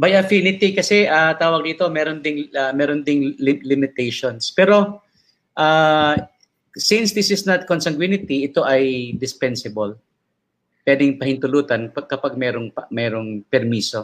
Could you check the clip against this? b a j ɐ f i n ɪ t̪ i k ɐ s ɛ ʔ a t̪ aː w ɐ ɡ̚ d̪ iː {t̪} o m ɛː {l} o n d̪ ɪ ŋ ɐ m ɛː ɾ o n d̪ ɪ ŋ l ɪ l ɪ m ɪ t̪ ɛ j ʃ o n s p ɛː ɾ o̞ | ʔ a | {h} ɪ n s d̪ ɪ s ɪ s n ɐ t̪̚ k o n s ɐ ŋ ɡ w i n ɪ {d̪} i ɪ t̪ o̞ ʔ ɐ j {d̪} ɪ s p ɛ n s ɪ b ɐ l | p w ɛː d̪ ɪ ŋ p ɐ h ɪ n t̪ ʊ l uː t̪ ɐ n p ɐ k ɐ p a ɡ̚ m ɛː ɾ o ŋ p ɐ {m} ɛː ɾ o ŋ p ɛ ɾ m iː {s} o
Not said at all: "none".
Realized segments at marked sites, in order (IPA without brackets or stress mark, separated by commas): t̪, ɾ, s, t̪, d̪, m, s